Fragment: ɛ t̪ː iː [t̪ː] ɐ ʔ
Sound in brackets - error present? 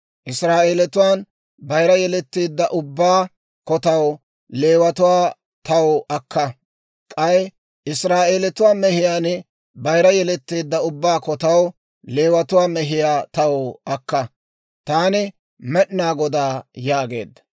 yes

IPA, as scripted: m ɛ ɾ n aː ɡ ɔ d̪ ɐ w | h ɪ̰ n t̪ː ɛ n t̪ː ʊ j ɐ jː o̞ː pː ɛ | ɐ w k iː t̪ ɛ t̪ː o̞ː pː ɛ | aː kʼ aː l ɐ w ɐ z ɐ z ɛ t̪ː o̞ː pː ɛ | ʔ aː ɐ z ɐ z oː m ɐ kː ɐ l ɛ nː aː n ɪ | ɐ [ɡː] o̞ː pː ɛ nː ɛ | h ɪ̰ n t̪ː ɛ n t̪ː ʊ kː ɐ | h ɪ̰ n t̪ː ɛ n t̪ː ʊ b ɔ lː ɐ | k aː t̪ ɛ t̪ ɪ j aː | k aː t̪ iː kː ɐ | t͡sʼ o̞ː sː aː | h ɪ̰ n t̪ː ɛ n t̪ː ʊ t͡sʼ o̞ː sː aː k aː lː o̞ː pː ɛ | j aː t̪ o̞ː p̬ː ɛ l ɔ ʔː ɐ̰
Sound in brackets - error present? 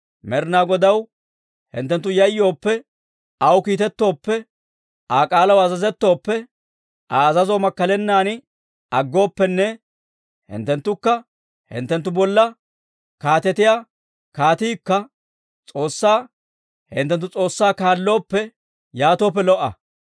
no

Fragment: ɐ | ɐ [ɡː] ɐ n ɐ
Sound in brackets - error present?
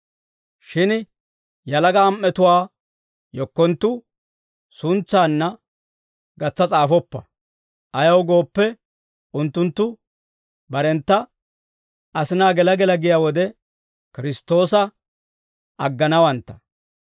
no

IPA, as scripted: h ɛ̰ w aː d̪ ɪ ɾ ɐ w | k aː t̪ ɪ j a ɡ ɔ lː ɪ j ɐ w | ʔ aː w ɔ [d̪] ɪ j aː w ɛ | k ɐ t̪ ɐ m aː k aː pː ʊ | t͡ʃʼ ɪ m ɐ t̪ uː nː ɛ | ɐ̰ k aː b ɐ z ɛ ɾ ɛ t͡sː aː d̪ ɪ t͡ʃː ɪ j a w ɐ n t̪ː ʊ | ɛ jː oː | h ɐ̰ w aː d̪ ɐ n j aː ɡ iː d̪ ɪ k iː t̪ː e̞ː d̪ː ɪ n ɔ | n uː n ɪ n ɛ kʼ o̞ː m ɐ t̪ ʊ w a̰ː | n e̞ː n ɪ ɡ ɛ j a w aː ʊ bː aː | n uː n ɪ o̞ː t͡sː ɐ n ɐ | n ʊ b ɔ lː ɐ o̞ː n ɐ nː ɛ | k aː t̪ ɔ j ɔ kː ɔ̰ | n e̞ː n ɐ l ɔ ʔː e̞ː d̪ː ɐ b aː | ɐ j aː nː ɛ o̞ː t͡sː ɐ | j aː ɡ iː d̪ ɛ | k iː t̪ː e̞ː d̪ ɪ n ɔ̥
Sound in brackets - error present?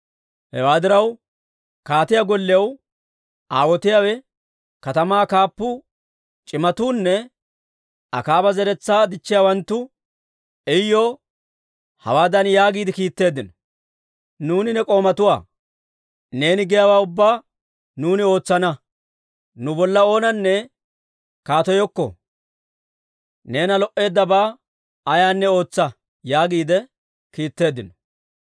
yes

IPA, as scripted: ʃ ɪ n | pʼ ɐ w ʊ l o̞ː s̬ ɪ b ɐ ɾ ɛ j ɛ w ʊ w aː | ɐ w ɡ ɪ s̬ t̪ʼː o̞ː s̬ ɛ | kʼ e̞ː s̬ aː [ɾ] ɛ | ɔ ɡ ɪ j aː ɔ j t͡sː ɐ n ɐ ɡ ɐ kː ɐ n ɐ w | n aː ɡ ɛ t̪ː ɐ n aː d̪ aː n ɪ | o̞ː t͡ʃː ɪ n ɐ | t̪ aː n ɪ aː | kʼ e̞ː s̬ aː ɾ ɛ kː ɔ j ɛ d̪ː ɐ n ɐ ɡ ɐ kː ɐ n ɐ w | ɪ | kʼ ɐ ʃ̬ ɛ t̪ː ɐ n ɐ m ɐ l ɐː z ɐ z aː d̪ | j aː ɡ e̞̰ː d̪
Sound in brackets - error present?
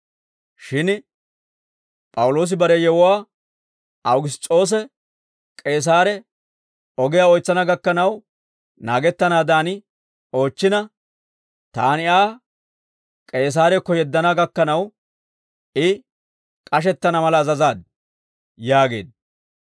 no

